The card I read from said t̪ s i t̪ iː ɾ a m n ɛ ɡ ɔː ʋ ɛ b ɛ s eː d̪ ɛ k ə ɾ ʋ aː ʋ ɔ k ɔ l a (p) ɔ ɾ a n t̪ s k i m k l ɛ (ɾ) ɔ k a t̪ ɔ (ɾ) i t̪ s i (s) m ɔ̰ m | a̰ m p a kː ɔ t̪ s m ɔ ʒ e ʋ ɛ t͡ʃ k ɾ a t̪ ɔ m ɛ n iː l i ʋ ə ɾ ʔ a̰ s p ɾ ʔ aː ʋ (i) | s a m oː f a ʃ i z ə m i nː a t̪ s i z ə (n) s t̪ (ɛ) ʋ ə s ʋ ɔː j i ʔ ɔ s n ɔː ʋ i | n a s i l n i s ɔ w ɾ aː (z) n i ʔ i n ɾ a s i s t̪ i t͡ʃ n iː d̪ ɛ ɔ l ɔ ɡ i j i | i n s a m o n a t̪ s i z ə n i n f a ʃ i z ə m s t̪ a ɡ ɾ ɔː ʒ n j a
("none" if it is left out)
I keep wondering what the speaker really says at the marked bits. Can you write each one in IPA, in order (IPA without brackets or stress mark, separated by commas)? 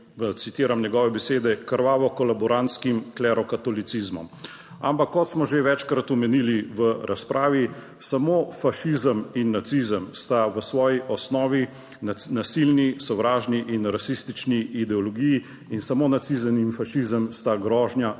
b, ɾ, l, z, i, m, a, ʒ